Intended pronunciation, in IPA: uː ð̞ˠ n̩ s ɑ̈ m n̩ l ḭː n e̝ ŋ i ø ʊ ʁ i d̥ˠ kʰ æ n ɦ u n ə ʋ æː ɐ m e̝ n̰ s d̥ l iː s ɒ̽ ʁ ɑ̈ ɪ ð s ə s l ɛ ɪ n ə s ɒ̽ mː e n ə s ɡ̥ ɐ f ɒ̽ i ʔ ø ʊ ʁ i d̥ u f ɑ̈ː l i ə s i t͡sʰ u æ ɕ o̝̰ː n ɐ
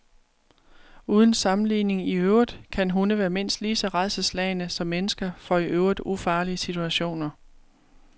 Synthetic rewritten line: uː ð̞ˠ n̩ s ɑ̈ m n̩ l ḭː n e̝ ŋ i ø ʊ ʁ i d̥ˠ kʰ æ n ɦ u n ə ʋ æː ɐ m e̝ n̰ s d̥ l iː s ɒ̽ ʁ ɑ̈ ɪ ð s ə s l ɛ ɪ n ə s ɒ̽ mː e n ə s ɡ̥ ɐ f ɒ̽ i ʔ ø ʊ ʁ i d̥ u f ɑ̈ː l i ə s i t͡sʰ u æ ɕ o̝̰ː n ɐ